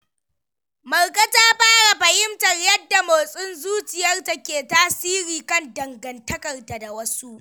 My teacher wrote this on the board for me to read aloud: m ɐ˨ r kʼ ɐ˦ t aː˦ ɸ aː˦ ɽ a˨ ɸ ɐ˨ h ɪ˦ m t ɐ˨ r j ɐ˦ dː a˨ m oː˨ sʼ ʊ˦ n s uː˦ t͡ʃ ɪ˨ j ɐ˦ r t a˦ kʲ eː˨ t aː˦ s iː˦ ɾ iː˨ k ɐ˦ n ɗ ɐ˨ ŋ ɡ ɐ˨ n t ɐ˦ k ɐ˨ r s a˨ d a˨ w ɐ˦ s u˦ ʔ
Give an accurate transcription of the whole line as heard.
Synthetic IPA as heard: m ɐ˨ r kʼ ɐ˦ t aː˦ ɸ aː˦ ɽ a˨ ɸ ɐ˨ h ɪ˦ m t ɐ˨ r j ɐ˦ dː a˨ m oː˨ sʼ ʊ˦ n z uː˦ t͡ʃ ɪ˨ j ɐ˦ r t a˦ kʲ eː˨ t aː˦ s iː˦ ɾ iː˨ k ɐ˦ n d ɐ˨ ŋ ɡ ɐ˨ n t ɐ˦ k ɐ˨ r t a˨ d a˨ w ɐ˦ s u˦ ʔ